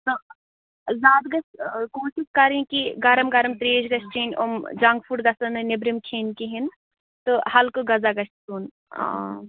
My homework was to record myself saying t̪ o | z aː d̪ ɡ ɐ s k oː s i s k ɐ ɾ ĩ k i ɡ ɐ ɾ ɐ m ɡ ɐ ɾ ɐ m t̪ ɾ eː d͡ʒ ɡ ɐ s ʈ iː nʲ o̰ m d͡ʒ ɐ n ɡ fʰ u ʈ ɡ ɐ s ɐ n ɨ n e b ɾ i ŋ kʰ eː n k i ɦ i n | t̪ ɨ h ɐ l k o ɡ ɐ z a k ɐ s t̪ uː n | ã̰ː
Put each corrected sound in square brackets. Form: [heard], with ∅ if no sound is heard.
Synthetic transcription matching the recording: t̪ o | z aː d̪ ɡ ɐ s k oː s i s k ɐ ɾ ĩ k i ɡ ɐ ɾ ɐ m ɡ ɐ ɾ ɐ m t̪ ɾ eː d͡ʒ ɡ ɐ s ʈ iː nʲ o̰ m d͡ʒ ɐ [ŋ] ɡ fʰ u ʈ ɡ ɐ s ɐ n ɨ n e b ɾ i [m] kʰ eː n k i ɦ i n | t̪ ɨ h ɐ l k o ɡ ɐ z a [ɡ] ɐ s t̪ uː n | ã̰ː

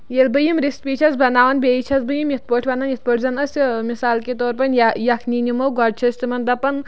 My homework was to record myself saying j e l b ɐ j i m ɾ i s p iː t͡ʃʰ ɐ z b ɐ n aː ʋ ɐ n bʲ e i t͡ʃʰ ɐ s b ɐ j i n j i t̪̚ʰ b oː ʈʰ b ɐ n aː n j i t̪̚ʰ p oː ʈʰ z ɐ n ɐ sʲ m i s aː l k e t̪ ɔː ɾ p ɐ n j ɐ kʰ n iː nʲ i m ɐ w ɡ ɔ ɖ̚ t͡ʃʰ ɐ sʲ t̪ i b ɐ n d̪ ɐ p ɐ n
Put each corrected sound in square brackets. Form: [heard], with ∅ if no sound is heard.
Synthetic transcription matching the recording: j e l b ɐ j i m ɾ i s p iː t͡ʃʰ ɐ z b ɐ n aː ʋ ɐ n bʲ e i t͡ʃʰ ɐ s b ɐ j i [m] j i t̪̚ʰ [p] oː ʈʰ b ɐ n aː n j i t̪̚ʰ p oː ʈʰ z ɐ n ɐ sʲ m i s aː l k e t̪ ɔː ɾ p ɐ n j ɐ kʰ n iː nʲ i m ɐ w ɡ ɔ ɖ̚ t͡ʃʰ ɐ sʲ t̪ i [m] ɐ n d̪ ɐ p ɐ n

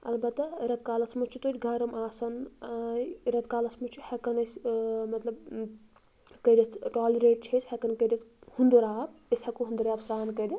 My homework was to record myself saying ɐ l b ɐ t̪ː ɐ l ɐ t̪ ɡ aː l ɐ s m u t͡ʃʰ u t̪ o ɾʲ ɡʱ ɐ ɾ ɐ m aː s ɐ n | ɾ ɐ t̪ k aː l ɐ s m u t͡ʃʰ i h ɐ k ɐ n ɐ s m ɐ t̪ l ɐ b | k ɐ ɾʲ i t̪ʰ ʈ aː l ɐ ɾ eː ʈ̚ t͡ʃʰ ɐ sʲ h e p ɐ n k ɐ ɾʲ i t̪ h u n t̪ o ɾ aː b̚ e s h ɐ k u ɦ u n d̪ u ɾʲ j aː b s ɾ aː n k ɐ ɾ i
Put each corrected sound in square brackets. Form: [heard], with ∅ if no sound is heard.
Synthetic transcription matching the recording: ɐ l b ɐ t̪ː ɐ [ɾ] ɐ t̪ [k] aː l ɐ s m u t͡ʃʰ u t̪ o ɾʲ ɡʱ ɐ ɾ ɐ m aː s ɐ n | ɾ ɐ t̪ k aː l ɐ s m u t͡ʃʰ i h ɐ k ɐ n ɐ s m ɐ t̪ l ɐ b | k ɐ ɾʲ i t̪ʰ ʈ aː l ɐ ɾ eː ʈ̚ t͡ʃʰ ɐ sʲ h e [k] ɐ n k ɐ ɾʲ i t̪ h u n [d̪] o ɾ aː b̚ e s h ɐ k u ɦ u n d̪ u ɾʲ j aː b s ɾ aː n k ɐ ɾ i

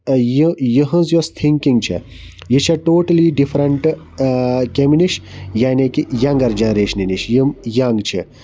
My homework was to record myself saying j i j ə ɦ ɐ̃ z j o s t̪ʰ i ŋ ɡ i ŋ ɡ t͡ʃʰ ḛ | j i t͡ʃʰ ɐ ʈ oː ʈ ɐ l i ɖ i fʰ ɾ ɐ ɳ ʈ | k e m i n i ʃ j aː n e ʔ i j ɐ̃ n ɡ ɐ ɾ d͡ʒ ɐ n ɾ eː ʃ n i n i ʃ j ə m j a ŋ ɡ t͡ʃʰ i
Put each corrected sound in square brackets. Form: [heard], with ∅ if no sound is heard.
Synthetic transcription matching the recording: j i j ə ɦ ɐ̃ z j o s t̪ʰ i ŋ [k] i ŋ ɡ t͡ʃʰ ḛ | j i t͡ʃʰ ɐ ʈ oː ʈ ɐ l i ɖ i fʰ ɾ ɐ ɳ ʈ | k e m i n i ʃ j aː n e [k] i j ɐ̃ [ŋ] ɡ ɐ ɾ d͡ʒ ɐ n ɾ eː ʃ n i n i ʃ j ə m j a ŋ ɡ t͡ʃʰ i

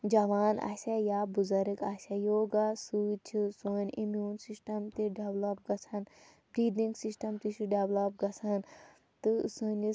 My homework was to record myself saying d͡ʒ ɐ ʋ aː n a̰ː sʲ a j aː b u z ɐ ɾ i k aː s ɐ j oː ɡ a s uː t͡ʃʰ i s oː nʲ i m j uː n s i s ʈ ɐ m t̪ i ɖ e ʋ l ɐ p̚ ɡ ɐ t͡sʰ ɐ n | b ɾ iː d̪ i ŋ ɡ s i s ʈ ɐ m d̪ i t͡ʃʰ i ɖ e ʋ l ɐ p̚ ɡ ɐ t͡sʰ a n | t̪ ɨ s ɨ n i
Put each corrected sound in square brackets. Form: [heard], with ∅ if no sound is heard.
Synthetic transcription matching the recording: d͡ʒ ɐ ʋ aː n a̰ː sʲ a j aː b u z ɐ ɾ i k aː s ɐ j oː ɡ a s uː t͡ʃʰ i s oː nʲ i m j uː n s i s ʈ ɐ m t̪ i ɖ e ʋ l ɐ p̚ ɡ ɐ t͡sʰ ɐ n | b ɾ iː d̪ i ŋ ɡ s i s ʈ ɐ m [t̪] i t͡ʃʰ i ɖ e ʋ l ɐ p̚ ɡ ɐ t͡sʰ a n | t̪ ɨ s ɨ n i

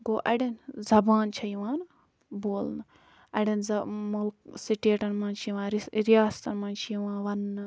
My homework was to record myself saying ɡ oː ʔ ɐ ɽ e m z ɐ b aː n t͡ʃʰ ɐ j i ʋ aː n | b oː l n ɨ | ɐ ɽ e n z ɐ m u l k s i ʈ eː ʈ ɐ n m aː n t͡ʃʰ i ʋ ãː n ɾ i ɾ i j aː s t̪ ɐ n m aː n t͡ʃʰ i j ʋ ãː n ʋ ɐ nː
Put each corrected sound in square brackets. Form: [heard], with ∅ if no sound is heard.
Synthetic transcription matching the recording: ɡ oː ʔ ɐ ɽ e [n] z ɐ b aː n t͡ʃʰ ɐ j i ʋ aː n | b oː l n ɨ | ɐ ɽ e n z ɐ m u l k s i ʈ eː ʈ ɐ n m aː n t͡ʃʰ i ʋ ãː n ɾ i ɾ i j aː s t̪ ɐ n m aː n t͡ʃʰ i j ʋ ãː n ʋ ɐ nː

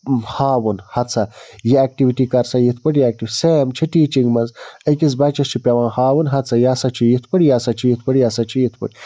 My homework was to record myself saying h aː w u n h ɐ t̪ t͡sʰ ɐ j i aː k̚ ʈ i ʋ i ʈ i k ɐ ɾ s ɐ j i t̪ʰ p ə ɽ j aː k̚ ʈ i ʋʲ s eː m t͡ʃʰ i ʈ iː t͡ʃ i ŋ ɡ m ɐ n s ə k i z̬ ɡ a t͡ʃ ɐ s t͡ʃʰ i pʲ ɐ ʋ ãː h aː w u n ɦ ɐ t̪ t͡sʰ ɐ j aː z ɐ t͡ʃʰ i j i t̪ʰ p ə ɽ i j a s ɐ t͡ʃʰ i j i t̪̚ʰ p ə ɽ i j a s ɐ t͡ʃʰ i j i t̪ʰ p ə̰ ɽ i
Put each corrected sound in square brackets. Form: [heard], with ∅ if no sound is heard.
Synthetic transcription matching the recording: h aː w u n h ɐ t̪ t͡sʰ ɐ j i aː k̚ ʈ i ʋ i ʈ i k ɐ ɾ s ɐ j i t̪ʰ p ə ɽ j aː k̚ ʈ i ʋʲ s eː m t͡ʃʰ i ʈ iː t͡ʃ i ŋ ɡ m ɐ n [z] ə k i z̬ [b] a t͡ʃ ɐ s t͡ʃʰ i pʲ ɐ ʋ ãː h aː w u n ɦ ɐ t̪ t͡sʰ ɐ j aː [s] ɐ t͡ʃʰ i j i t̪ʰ p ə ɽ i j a s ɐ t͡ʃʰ i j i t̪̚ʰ p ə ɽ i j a s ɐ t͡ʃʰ i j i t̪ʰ p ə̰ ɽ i

